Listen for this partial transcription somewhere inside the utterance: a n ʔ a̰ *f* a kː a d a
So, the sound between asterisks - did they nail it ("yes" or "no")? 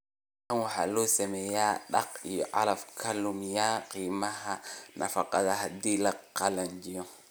yes